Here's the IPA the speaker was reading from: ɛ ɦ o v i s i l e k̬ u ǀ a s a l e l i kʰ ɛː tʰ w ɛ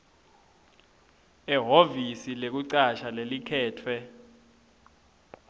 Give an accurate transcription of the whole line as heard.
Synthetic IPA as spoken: ɛ ɦ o v i s i l e k̬ u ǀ a ʃ a l e l i kʰ ɛː tʰ w ɛ